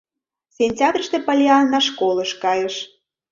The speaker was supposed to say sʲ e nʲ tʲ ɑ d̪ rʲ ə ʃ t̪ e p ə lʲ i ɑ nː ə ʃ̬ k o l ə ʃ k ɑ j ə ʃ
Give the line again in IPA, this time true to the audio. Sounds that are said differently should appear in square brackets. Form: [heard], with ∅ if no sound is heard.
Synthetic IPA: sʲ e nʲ tʲ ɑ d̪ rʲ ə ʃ t̪ e p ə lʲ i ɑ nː [ɑ] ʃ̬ k o l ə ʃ k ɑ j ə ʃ